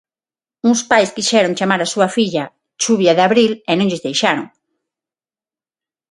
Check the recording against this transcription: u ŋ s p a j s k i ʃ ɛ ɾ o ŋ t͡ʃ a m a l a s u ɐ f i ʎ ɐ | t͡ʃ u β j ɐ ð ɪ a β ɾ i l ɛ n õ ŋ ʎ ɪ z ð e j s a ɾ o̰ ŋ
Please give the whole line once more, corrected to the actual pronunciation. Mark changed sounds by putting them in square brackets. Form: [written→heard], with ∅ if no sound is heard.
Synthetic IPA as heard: u ŋ s p a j s k i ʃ ɛ ɾ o ŋ t͡ʃ a m a [l→ɾ] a s u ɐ f i ʎ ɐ | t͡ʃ u β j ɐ ð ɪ a β ɾ i l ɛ n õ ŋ ʎ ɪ z ð e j [s→ʃ] a ɾ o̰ ŋ